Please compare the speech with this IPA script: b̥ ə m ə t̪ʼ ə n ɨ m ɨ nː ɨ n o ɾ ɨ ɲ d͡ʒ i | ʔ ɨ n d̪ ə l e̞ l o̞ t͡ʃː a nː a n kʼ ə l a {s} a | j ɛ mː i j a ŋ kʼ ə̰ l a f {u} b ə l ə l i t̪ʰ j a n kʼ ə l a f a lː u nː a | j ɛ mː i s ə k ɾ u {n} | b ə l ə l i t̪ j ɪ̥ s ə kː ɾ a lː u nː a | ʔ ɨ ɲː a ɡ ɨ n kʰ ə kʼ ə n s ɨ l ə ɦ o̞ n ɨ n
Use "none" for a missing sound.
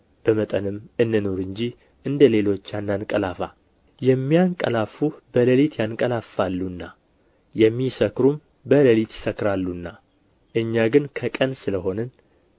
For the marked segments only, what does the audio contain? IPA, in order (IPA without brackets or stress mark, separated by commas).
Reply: f, u, m